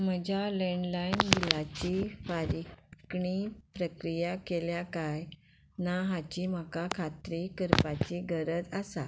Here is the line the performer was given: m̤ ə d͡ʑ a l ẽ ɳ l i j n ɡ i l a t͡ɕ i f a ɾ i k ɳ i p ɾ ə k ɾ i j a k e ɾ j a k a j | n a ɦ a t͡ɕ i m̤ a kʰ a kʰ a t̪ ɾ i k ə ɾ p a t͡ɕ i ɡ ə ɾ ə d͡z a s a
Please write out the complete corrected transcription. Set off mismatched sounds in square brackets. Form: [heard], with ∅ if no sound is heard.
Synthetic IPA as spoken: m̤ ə d͡ʑ a l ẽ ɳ l [a] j n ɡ i l a t͡ɕ i f a ɾ i k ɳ i p ɾ ə k ɾ i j a k e [l] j a k a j | n a ɦ a t͡ɕ i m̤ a [k] a kʰ a t̪ ɾ i k ə ɾ p a t͡ɕ i ɡ ə ɾ ə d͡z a s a